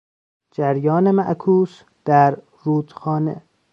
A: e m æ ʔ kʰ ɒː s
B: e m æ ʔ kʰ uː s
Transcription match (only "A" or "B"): B